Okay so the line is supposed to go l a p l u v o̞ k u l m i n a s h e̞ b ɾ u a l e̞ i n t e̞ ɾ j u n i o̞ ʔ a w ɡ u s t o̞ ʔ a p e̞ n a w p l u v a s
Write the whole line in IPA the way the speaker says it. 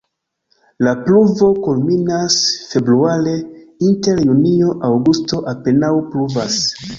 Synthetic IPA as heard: l a p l u v o̞ k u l m i n a s f e̞ b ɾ u a l e̞ i n t e̞ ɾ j u n i o̞ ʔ a w ɡ u s t o̞ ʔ a p e̞ n a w p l u v a s